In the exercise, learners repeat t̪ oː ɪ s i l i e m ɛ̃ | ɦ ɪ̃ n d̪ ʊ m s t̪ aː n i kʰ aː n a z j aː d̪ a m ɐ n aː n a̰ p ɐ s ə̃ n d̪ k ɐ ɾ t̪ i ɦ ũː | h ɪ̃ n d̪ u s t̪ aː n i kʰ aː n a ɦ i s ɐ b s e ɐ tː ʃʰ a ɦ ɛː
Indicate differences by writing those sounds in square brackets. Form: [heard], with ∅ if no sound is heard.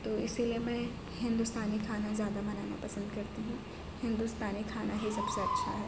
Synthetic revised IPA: t̪ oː ɪ s i l i e m ɛ̃ | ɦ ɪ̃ n d̪ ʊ [∅] s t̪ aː n i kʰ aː n a z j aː d̪ a m ɐ n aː n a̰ p ɐ s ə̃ n d̪ k ɐ ɾ t̪ i ɦ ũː | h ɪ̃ n d̪ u s t̪ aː n i kʰ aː n a ɦ i s ɐ b s e ɐ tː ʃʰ a ɦ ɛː